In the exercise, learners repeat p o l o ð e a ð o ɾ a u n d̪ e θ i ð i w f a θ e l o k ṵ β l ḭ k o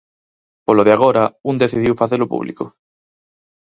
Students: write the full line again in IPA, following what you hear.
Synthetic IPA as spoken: p o l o ð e a ɣ o ɾ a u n d̪ e θ i ð i w f a θ e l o p ṵ β l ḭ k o